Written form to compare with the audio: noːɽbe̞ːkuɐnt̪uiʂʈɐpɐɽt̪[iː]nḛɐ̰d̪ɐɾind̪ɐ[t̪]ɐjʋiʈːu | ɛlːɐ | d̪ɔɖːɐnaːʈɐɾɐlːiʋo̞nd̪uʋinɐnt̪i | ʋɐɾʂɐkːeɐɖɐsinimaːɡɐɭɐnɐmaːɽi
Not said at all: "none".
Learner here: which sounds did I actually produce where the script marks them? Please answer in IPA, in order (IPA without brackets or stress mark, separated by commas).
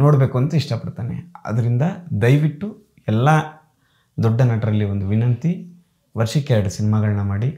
aː, d̪